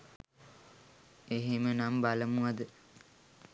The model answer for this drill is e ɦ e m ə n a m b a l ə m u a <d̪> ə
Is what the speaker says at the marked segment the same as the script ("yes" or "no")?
yes